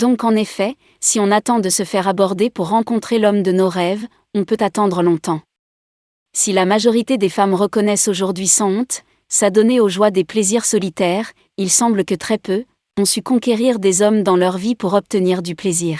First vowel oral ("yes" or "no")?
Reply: no